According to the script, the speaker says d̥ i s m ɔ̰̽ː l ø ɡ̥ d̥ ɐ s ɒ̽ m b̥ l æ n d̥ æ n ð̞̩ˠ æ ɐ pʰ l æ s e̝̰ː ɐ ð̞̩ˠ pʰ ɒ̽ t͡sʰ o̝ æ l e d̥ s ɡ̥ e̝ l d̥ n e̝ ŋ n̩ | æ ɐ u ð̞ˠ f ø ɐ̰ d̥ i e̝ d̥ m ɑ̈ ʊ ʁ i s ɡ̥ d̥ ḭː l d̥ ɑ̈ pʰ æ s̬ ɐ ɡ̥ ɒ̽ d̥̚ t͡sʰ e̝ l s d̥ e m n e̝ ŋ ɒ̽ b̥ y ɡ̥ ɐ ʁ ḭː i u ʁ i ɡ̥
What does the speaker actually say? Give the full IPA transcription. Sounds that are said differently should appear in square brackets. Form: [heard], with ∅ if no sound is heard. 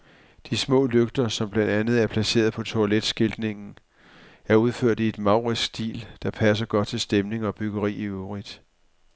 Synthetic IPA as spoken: d̥ i s m ɔ̰̽ː l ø ɡ̥ d̥ ɐ s ɒ̽ m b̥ l æ n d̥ æ n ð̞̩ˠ æ ɐ pʰ l æ s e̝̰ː ɐ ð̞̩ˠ pʰ ɒ̽ t͡sʰ o̝ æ l e d̥ s ɡ̥ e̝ l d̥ n e̝ ŋ n̩ | æ ɐ u ð̞ˠ f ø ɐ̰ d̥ i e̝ d̥ m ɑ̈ ʊ ʁ i s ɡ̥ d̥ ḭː l d̥ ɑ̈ pʰ æ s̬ ɐ ɡ̥ ɒ̽ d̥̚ t͡sʰ e̝ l s d̥ e m n e̝ ŋ ɒ̽ b̥ y ɡ̥ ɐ ʁ ḭː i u ʁ i [d̥]